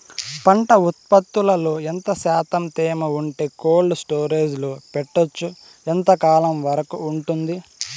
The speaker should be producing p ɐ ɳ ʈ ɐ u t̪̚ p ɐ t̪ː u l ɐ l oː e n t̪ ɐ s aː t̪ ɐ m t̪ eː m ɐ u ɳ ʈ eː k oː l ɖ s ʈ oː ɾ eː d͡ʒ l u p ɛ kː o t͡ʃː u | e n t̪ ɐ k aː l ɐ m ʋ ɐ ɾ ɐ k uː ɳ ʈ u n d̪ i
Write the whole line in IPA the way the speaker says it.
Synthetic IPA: p ɐ ɳ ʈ ɐ u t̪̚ p ɐ t̪ː u l ɐ l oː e n t̪ ɐ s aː t̪ ɐ m t̪ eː m ɐ u ɳ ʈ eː k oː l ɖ s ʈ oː ɾ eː d͡ʒ l u p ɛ ʈː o t͡ʃː u | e n t̪ ɐ k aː l ɐ m ʋ ɐ ɾ ɐ k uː ɳ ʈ u n d̪ i